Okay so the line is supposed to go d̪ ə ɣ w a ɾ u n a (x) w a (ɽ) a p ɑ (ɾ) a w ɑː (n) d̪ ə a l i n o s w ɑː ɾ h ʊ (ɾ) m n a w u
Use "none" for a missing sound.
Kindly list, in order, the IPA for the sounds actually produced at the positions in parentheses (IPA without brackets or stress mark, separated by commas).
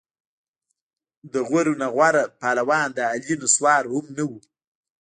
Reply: ɣ, ɾ, l, n, none